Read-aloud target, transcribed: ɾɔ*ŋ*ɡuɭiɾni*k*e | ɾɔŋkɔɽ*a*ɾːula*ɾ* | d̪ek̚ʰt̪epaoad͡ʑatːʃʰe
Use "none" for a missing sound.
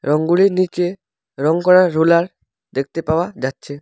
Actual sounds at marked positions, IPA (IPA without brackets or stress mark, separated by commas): ŋ, k, a, ɾ